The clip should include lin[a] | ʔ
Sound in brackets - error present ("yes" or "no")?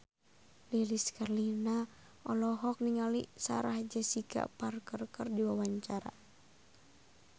no